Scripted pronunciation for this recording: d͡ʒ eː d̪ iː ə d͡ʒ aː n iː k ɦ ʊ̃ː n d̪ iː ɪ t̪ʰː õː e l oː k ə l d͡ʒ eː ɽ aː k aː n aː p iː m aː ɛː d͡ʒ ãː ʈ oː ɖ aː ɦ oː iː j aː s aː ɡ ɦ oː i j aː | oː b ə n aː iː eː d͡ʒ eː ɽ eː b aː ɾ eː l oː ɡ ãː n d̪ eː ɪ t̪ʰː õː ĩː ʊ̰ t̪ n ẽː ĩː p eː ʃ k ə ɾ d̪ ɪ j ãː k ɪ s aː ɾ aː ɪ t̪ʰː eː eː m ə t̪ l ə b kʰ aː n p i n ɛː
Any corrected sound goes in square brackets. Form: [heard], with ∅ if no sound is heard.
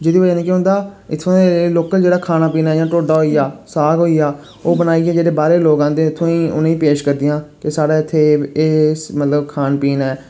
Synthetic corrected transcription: d͡ʒ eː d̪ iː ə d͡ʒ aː n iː k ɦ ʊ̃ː n d̪ [aː] ɪ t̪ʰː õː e l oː k ə l d͡ʒ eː ɽ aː [kʰ] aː n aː p iː [n] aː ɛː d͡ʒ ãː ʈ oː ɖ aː ɦ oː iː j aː s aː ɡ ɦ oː i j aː | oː b ə n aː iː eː d͡ʒ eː ɽ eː b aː ɾ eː l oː ɡ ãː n d̪ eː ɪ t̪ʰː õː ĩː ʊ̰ [∅] n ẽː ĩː p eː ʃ k ə ɾ d̪ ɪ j ãː k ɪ s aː [ɽ] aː ɪ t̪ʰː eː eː m ə t̪ l ə b kʰ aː n p [iː] n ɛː